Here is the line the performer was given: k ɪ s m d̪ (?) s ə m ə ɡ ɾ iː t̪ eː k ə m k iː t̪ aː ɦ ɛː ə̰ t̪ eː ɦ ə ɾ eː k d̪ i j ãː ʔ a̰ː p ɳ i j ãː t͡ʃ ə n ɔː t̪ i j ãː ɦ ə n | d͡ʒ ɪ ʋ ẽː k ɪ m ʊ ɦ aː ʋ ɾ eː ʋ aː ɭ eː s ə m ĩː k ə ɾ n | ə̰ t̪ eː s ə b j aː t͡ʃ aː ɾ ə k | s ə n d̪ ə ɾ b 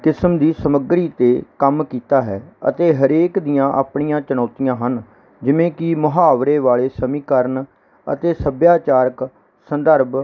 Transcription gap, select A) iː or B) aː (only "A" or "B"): A